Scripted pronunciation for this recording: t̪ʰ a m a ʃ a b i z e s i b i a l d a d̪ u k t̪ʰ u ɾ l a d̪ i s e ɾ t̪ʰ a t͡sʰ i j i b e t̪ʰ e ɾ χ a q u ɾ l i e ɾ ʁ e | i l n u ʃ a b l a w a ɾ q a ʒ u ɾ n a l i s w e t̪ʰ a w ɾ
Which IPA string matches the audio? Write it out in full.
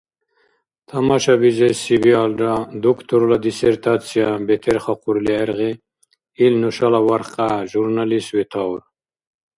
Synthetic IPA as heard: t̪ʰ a m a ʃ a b i z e s i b i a l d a d̪ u k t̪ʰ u ɾ l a d̪ i s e ɾ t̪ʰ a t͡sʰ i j a b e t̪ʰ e ɾ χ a q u ɾ l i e ɾ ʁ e | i l n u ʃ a l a w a ɾ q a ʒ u ɾ n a l i s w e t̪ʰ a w ɾ